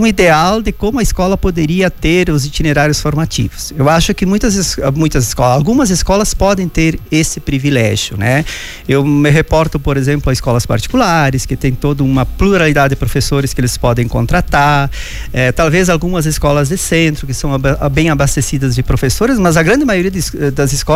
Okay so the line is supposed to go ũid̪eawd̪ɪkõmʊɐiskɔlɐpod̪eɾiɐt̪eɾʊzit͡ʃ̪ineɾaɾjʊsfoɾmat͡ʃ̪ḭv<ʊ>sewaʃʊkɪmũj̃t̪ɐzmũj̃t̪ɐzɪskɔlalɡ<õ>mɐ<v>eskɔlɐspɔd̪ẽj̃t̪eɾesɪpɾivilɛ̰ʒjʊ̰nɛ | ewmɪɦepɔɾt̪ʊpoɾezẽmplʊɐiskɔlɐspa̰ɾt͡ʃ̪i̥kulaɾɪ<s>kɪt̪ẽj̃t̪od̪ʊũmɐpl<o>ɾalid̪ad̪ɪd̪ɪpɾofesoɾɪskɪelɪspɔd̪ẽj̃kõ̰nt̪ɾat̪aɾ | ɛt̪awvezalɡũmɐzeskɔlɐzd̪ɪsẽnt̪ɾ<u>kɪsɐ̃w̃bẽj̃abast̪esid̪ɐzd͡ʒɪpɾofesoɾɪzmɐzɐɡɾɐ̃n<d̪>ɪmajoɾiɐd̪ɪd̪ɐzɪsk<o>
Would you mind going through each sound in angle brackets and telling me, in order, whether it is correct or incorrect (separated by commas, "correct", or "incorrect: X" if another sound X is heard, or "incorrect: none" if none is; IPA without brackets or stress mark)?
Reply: correct, incorrect: ũ, incorrect: z, correct, incorrect: u, incorrect: ʊ, correct, incorrect: ɔ